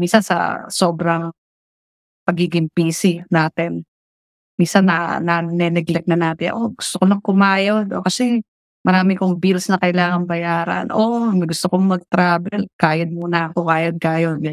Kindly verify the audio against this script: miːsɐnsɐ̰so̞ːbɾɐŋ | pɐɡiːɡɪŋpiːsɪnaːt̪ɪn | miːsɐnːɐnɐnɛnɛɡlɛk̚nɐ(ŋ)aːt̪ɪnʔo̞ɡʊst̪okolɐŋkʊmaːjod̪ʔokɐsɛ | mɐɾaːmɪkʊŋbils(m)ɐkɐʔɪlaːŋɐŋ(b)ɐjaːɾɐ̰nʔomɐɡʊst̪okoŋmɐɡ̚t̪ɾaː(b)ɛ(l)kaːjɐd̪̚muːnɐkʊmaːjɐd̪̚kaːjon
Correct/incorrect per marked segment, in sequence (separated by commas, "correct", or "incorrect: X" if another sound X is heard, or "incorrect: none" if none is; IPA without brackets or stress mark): incorrect: n, incorrect: n, correct, correct, correct